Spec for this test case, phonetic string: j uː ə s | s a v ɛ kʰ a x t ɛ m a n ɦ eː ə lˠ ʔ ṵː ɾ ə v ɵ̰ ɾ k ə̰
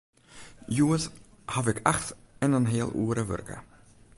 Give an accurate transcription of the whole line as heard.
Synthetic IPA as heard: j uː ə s | h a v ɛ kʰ a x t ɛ n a n ɦ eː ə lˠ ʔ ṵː ɾ ə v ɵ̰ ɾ k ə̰